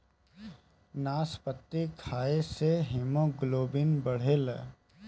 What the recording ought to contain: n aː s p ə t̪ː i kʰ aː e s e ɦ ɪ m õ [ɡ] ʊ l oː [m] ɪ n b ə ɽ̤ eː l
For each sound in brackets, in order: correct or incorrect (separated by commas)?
correct, incorrect